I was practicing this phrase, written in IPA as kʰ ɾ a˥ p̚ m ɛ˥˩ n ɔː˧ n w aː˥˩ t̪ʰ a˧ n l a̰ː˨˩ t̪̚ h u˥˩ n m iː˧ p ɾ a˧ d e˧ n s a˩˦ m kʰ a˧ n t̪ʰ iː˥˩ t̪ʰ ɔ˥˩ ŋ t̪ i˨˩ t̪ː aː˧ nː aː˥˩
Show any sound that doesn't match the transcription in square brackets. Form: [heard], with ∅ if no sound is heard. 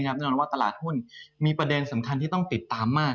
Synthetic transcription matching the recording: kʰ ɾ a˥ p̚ [n] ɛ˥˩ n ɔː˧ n w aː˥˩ [t̪] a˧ [∅] l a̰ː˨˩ t̪̚ h u˥˩ n m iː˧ p ɾ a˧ d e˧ n s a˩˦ m kʰ a˧ n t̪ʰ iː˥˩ [t̪] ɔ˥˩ ŋ t̪ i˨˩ t̪ː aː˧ [mː] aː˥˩